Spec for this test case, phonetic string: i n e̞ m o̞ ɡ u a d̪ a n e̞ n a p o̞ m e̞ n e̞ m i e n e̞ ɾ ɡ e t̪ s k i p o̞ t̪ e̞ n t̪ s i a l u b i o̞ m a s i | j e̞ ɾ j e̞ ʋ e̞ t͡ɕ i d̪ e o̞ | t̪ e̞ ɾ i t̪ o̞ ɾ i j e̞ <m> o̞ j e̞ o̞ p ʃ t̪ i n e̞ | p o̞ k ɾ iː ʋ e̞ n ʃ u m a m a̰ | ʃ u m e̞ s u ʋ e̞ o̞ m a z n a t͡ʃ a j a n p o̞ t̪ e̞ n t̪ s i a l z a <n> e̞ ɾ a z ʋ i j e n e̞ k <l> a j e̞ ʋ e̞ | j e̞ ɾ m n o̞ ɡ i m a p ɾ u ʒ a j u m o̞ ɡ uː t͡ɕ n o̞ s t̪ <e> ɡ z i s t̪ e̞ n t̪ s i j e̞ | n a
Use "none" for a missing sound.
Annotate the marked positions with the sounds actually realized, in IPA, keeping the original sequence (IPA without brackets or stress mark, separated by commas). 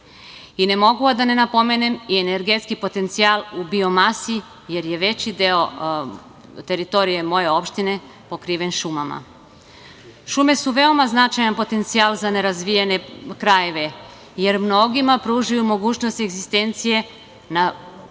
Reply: m, n, ɾ, e